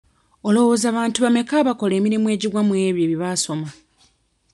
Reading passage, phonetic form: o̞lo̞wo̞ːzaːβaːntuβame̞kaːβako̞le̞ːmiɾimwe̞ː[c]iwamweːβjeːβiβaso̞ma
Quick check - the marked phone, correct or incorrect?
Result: incorrect